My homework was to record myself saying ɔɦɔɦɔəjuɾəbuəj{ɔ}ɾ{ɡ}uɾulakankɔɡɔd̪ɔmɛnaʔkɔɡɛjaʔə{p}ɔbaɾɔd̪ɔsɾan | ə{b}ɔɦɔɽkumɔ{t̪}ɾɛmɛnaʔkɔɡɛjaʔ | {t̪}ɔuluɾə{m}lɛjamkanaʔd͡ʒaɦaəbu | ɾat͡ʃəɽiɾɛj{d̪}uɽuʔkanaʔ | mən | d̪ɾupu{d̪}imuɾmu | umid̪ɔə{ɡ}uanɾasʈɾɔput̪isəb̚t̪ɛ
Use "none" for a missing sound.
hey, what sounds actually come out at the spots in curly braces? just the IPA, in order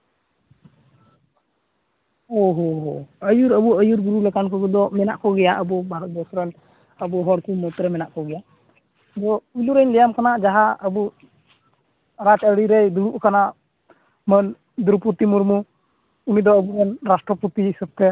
u, ɡ, b, b, t̪, d̪, ɲ, d̪, t̪, b

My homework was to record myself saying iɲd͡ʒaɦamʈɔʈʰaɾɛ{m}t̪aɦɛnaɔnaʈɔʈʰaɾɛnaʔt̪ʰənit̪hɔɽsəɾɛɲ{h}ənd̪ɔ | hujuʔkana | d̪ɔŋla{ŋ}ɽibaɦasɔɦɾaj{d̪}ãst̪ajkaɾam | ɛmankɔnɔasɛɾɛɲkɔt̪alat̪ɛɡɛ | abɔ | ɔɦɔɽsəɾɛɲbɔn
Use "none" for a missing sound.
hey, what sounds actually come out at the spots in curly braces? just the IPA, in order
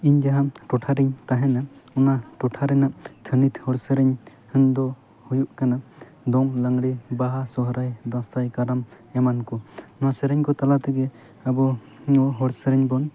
ɲ, h, ŋ, d̪

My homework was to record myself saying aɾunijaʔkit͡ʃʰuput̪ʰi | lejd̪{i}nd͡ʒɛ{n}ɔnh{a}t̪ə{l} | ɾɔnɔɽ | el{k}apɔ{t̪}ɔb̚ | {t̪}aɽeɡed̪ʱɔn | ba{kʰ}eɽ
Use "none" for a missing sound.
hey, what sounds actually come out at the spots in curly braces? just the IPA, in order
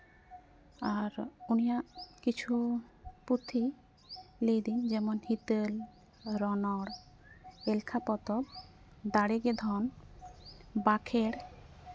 i, m, i, l, kʰ, t̪, d̪, kʰ

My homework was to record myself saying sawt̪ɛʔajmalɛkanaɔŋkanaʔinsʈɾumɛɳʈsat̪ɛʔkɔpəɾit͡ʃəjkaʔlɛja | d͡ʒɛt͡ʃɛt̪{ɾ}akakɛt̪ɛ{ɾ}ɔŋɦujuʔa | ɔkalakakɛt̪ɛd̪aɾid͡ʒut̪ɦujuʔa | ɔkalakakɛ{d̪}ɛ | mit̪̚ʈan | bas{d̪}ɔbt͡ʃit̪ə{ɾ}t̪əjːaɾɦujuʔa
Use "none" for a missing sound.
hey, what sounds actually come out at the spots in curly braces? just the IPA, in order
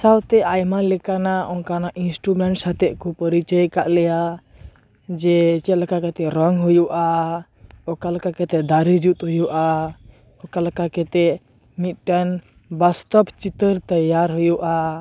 l, ɾ, t̪, t̪, ɾ

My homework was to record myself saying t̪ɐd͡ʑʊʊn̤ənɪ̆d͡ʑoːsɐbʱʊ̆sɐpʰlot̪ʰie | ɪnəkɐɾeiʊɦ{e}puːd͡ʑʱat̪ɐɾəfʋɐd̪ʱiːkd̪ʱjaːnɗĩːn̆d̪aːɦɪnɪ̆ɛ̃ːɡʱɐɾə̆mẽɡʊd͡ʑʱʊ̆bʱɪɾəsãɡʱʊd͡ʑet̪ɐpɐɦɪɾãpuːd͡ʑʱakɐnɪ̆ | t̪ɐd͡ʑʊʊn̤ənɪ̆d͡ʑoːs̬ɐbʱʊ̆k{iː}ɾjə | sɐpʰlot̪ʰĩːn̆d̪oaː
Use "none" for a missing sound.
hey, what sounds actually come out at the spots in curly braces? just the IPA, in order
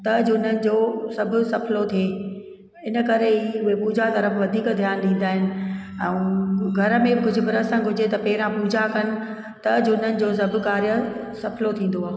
e, aː

